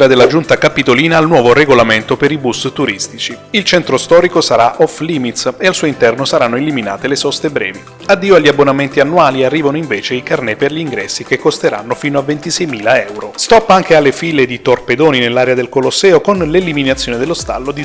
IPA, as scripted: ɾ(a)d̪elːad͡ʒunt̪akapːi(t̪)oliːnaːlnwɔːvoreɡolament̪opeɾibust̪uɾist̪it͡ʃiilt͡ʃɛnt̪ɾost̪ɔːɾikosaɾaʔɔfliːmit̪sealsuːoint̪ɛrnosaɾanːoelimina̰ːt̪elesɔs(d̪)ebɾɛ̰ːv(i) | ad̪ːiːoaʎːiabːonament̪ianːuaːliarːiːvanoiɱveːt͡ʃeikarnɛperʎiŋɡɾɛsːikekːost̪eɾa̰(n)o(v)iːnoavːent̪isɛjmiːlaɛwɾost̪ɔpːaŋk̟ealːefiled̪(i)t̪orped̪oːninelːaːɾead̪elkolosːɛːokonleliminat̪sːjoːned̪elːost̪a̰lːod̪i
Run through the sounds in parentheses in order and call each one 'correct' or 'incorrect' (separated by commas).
correct, correct, incorrect, correct, incorrect, incorrect, correct